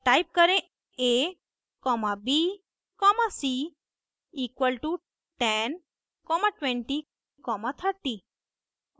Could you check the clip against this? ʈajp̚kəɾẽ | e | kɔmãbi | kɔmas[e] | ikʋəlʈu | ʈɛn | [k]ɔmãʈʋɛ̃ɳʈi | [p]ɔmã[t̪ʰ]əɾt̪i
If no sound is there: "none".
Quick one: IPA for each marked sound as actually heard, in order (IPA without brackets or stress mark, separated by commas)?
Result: i, k, k, t̪ʰ